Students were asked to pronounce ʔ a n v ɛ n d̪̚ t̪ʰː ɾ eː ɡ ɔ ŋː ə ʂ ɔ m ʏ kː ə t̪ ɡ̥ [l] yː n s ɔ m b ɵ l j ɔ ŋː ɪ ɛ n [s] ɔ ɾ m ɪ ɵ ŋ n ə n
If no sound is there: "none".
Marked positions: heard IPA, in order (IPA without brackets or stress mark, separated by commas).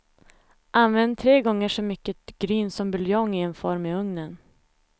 ɾ, f